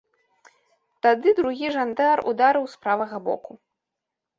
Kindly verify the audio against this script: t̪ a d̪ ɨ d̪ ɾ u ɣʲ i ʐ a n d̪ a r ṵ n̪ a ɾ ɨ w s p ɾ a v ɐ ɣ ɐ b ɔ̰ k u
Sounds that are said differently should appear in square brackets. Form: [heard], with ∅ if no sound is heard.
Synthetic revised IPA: t̪ a d̪ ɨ d̪ ɾ u ɣʲ i ʐ a n d̪ a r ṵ [d̪] a ɾ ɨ w s p ɾ a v ɐ ɣ ɐ b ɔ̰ k u